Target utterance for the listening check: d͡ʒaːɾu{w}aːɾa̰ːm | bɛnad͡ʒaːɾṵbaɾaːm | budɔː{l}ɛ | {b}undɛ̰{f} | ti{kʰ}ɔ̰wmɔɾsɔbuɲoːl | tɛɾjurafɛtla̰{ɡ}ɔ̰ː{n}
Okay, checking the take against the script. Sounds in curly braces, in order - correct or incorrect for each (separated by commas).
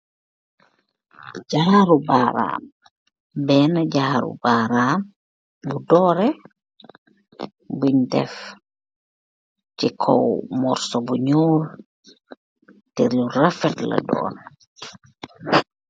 incorrect, incorrect, correct, correct, correct, incorrect, correct